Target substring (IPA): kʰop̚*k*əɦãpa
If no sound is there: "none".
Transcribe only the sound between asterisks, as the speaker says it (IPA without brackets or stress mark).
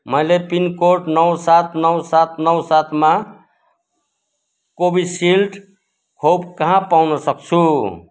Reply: k